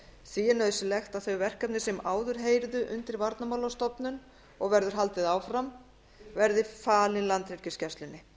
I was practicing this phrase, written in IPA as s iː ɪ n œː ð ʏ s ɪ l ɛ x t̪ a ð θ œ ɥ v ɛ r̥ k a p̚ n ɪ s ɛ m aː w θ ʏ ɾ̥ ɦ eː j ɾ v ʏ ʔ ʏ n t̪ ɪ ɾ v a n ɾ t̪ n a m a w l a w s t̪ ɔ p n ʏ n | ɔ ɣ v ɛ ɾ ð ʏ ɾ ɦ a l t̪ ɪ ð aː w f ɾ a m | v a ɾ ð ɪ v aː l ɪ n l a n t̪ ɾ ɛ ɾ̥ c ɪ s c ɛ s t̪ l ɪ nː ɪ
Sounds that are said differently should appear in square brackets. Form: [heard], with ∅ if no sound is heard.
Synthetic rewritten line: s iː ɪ n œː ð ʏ s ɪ l ɛ x t̪ a ð θ œ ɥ v ɛ r̥ k a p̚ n ɪ s ɛ m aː w [ð] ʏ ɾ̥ ɦ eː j ɾ [ð] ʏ ʔ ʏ n t̪ ɪ ɾ v a [∅] ɾ t̪ n a m a w l a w s t̪ ɔ p n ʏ n | ɔ ɣ v ɛ ɾ ð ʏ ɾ ɦ a l t̪ ɪ ð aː w f ɾ a m | v [ɛ] ɾ ð ɪ [f] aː l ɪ n l a n t̪ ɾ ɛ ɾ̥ c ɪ s c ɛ s t̪ l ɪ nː ɪ